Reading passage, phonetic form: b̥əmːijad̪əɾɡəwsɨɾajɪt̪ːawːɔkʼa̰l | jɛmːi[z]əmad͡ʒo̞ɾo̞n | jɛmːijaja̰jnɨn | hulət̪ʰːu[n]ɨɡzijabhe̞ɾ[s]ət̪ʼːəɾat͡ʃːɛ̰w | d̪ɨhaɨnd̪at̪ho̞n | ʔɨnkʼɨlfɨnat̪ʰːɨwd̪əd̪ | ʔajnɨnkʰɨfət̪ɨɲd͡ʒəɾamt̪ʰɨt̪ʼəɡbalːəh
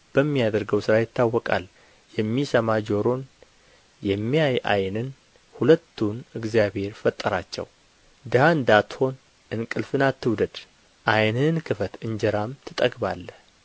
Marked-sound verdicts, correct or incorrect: incorrect: s, correct, incorrect: f

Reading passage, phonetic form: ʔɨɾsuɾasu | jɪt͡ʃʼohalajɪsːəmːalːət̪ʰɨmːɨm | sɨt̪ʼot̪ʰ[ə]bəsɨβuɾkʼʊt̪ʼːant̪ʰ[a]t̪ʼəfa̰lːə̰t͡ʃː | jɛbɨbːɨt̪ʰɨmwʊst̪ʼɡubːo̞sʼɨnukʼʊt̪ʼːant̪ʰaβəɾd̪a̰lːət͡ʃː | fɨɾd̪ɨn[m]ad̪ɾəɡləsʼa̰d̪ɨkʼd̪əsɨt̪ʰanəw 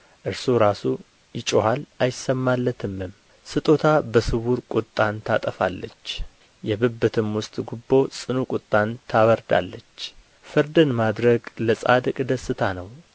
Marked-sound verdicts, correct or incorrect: incorrect: a, correct, correct

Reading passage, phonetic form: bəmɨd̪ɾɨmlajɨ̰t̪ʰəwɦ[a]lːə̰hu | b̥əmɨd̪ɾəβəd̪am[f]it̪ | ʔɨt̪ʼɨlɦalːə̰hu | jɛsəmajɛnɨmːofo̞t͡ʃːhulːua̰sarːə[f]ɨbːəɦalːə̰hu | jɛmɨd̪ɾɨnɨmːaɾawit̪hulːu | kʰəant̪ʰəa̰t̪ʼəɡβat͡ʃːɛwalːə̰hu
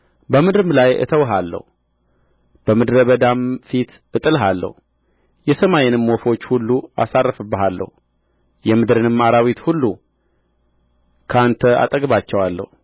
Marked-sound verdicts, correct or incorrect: correct, correct, correct

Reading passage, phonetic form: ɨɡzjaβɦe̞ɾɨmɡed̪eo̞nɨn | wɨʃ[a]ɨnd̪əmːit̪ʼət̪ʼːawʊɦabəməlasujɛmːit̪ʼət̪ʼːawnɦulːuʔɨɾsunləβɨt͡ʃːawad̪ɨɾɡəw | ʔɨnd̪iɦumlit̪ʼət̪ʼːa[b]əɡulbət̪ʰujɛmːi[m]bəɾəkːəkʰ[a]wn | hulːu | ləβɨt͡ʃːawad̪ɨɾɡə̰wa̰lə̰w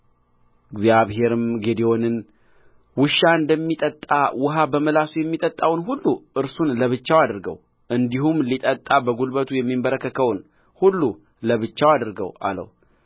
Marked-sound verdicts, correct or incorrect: correct, correct, correct, incorrect: ə

